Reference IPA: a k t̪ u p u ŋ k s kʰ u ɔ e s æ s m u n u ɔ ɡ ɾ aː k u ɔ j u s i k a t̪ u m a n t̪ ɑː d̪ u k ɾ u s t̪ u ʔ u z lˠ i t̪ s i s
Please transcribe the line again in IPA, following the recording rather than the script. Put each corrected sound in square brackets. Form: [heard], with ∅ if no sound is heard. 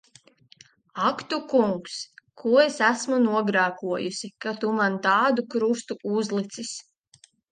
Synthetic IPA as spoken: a k t̪ u [k] u ŋ k s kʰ u ɔ e s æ s m u n u ɔ ɡ ɾ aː k u ɔ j u s i k a t̪ u m a n t̪ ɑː d̪ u k ɾ u s t̪ u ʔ u z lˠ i t̪ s i s